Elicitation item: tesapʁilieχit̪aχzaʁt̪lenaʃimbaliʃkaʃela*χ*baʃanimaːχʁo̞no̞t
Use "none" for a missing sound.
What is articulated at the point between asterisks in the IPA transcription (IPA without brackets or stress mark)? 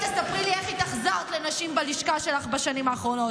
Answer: χ